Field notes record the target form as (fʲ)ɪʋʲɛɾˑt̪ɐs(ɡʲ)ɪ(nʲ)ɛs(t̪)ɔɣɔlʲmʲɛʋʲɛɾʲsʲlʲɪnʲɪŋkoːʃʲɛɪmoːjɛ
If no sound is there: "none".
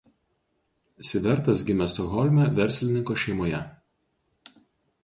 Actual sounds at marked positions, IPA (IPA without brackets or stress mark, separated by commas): sʲ, ɡʲ, mʲ, t̪